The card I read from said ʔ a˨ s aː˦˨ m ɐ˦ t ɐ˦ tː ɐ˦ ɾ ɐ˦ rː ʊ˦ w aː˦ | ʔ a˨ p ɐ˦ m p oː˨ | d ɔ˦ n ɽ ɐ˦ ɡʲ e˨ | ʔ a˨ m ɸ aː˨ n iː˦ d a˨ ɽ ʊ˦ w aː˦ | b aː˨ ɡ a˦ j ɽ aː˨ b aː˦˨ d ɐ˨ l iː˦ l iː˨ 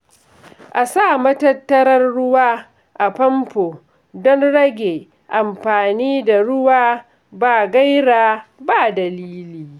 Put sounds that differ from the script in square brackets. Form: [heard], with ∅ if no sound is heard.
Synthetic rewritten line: ʔ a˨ s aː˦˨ m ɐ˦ t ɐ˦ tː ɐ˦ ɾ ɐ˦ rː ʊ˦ w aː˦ | ʔ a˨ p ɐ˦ m p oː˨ | d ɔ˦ n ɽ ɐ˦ ɡʲ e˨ | ʔ a˨ m ɸ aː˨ n iː˦ d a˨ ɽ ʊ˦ w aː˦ | b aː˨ ɡ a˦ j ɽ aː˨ b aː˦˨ d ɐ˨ l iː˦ l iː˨